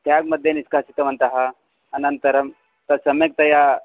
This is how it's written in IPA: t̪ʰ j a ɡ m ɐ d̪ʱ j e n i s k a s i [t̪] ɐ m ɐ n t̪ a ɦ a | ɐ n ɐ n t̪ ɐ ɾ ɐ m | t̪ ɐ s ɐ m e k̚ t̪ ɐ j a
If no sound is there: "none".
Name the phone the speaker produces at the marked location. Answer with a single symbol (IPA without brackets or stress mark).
t̪